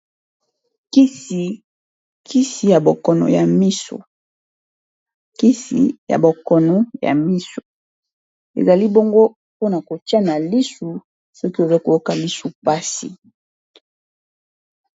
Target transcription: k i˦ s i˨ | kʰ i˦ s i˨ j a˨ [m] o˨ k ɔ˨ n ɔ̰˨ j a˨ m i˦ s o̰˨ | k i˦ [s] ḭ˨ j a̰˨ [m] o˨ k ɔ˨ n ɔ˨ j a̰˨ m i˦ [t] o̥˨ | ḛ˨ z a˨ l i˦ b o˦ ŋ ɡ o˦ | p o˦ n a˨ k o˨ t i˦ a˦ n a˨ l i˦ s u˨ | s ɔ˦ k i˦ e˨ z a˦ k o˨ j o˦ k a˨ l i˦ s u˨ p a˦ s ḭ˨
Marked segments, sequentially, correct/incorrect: incorrect: b, correct, incorrect: b, incorrect: s

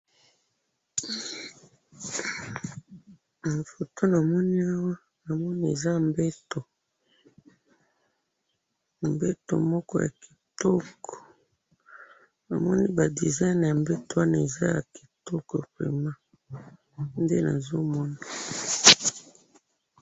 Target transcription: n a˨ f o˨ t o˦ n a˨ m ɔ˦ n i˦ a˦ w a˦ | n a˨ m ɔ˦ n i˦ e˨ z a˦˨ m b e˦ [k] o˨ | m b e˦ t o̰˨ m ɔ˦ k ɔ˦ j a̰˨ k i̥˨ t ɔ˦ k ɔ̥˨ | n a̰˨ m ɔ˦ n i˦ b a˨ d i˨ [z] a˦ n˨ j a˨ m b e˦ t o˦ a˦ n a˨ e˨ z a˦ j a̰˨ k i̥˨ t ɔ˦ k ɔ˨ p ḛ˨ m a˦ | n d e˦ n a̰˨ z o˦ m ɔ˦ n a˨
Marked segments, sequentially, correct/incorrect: incorrect: t, correct

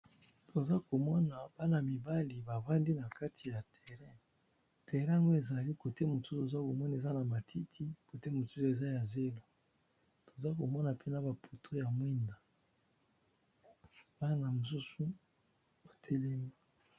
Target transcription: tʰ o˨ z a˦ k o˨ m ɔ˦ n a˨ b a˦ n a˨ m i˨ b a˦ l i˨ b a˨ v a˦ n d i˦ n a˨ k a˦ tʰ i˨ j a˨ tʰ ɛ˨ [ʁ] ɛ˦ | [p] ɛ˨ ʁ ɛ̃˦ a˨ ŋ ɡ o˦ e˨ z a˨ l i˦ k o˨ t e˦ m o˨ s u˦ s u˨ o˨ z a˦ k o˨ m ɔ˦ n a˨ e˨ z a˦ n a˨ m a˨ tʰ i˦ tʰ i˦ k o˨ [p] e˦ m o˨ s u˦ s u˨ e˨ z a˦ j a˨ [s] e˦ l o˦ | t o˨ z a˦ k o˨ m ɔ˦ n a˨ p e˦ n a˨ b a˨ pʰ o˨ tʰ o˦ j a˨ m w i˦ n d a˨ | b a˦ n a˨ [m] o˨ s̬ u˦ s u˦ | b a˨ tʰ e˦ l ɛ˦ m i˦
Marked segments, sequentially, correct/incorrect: correct, incorrect: t, incorrect: t, incorrect: z, correct

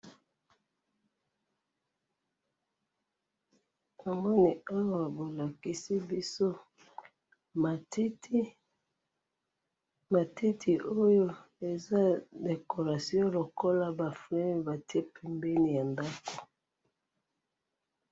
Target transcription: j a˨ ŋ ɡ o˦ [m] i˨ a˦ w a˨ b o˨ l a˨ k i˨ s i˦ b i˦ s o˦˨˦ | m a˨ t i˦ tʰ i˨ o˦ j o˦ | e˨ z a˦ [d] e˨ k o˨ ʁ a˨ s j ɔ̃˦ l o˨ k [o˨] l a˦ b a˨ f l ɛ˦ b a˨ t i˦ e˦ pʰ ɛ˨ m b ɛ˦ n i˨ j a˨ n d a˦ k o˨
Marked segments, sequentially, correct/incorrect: incorrect: n, correct, incorrect: o˦

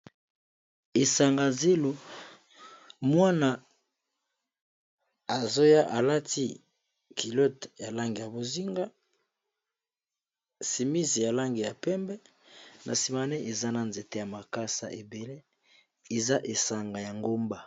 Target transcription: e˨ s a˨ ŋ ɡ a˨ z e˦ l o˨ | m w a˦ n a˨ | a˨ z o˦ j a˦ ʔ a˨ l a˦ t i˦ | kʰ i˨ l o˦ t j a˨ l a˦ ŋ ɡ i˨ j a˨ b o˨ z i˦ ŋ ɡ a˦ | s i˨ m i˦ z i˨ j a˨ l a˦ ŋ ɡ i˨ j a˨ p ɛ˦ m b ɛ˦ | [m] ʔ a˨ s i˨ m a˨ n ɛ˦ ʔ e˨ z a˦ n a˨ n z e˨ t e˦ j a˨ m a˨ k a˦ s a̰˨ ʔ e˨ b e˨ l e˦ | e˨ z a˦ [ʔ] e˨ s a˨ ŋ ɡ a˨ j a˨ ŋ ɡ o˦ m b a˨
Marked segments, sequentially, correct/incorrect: incorrect: n, correct

